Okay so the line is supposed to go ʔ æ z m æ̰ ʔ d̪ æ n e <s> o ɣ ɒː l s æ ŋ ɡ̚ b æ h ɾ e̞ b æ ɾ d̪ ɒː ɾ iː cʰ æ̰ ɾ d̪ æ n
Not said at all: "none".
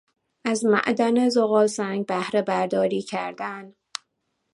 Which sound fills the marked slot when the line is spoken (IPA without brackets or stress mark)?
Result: z